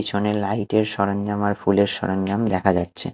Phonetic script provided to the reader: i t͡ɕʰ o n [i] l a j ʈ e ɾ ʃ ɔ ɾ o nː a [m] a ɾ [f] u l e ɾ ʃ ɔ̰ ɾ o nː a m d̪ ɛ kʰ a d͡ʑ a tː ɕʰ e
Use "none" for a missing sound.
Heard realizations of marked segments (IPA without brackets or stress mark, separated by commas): e, m, f